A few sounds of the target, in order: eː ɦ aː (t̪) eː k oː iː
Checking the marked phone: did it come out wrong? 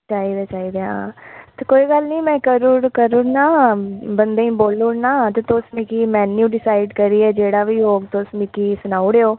no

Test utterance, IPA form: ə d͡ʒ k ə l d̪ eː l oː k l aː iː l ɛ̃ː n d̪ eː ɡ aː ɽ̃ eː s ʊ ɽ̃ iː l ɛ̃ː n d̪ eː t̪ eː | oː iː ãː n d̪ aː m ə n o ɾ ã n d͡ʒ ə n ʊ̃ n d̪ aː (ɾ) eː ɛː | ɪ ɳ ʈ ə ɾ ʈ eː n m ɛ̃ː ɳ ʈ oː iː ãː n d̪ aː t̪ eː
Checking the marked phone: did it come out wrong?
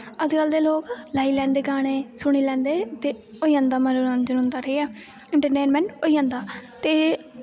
no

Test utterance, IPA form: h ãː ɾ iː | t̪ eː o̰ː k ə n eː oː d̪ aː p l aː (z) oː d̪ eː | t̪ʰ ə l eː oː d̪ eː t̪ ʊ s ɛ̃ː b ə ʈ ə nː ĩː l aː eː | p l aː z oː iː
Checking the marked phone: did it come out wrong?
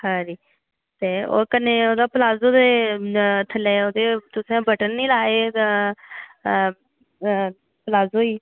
no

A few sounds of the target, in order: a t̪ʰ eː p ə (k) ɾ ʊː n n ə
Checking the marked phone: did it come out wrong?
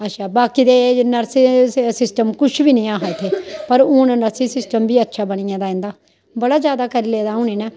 yes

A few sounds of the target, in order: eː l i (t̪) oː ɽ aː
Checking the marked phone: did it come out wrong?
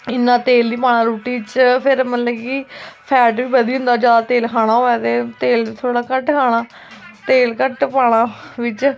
yes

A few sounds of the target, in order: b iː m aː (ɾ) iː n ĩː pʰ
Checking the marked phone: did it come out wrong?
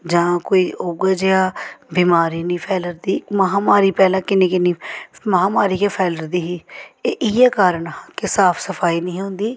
no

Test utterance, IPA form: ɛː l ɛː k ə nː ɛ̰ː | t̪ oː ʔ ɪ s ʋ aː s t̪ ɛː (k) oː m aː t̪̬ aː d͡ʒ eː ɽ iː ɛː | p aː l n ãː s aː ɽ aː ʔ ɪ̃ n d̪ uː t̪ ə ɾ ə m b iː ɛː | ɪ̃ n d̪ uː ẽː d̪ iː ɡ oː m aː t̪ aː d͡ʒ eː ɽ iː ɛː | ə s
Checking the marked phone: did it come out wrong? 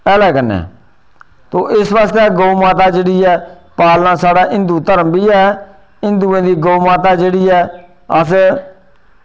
yes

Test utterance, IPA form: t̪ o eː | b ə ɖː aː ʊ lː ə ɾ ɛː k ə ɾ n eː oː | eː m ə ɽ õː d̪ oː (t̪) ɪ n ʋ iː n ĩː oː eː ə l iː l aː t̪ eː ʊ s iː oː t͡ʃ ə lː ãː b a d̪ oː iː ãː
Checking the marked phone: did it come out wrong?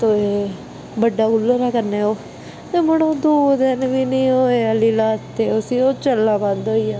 yes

